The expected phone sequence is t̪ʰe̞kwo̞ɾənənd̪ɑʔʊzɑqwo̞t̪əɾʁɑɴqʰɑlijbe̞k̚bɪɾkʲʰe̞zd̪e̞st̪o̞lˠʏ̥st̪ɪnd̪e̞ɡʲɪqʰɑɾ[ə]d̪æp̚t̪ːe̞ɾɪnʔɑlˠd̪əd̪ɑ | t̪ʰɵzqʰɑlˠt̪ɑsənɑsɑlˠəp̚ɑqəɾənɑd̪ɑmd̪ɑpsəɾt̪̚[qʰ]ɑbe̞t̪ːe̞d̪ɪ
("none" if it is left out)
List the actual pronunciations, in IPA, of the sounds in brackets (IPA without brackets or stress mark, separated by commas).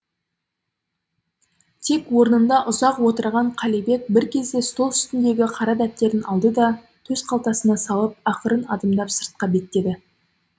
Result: ɑ, q